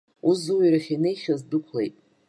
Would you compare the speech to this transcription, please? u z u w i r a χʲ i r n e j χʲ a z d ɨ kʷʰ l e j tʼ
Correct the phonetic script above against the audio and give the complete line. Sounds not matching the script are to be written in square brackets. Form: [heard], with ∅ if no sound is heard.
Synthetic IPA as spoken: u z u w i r a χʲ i [∅] n e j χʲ a z d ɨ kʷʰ l e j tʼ